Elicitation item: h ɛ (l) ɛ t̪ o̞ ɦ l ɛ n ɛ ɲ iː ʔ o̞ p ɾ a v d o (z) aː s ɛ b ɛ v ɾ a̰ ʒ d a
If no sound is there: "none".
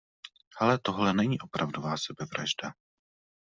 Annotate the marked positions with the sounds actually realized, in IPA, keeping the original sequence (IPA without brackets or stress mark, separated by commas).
l, v